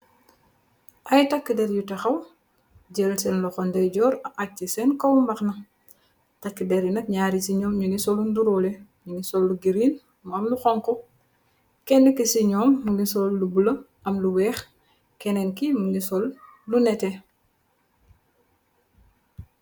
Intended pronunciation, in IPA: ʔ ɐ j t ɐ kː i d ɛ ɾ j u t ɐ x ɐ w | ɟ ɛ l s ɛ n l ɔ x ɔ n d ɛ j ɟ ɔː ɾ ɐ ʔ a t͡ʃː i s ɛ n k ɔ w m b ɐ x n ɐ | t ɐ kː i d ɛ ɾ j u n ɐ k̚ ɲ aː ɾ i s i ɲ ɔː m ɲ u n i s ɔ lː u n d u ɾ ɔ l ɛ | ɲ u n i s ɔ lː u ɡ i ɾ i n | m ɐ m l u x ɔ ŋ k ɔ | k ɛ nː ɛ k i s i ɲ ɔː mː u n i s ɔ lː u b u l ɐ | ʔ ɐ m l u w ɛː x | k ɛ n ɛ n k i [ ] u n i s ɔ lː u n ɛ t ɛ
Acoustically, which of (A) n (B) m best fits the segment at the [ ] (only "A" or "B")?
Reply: B